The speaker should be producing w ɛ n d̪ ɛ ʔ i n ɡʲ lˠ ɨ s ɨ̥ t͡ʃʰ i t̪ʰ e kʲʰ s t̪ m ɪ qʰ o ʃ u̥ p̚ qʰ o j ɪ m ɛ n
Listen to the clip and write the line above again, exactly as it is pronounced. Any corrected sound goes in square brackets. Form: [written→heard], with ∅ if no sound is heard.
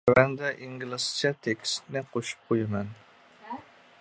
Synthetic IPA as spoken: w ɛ n d̪ ɛ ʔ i [n→ŋ] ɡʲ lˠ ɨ s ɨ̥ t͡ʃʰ [i→ɛ] t̪ʰ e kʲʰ s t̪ [m→n] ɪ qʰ o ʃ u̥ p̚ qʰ o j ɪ m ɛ n